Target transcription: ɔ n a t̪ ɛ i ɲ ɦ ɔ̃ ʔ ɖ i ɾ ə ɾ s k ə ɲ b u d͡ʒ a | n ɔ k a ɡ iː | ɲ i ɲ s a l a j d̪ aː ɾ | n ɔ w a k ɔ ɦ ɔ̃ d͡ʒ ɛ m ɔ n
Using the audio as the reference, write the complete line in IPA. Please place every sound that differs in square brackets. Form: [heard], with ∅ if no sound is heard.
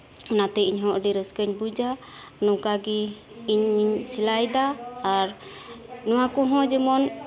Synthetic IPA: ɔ n a t̪ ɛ i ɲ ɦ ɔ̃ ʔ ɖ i ɾ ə [∅] s k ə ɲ b u d͡ʒ a | n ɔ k a ɡ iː | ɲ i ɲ s [i] l a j d̪ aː ɾ | n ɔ w a k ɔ ɦ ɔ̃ d͡ʒ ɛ m ɔ n

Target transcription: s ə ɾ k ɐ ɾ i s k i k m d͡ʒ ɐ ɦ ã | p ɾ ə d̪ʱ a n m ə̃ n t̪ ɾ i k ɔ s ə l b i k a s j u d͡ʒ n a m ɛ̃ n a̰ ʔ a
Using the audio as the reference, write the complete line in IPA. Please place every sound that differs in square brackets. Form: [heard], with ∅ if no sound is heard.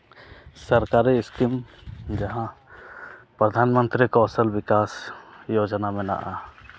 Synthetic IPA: s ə ɾ k [a] ɾ i s k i [∅] m d͡ʒ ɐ ɦ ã | p ɾ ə d̪ʱ a n m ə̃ n t̪ ɾ i k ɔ s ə l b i k a s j [o] d͡ʒ n a m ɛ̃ n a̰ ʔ a

